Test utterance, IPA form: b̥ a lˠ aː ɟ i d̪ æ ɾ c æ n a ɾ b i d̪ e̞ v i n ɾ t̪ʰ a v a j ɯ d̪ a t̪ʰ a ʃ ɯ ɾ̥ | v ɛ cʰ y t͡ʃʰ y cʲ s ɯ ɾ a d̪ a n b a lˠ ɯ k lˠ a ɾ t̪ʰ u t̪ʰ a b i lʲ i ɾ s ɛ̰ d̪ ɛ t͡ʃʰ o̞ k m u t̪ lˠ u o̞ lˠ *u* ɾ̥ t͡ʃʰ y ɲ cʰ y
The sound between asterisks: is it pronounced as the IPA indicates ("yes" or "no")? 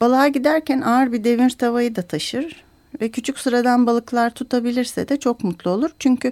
yes